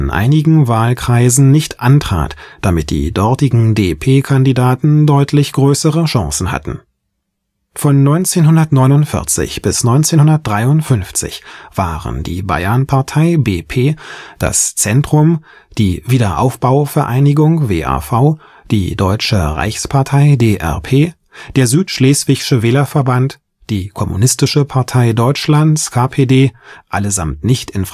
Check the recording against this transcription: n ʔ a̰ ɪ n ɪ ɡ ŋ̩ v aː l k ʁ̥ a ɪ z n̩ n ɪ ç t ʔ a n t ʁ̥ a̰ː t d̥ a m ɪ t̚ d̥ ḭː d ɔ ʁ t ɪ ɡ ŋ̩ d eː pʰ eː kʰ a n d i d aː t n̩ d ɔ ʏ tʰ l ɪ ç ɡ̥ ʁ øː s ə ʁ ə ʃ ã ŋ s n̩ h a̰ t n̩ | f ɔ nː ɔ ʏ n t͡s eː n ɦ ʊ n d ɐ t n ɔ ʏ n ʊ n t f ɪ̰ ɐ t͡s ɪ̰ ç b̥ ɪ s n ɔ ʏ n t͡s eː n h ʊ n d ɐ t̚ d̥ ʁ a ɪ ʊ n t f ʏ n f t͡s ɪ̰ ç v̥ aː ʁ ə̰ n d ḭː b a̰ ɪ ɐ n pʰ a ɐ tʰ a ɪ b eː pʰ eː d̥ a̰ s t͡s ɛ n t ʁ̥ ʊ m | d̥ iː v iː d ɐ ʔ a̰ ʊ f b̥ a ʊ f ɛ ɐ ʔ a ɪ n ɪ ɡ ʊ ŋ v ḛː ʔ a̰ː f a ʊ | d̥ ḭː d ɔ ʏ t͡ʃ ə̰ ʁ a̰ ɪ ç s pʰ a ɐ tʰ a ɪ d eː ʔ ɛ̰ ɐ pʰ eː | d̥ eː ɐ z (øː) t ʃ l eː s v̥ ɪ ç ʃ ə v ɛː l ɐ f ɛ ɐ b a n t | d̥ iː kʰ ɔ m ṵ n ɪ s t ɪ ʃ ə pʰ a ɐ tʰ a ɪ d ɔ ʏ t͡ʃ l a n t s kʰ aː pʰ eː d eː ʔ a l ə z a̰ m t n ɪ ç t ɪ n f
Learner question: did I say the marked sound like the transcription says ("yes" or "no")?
no